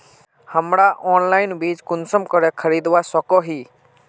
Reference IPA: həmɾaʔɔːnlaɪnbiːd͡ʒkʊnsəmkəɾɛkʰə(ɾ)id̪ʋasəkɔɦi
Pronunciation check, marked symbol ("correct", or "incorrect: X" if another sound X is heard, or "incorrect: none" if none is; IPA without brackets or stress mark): correct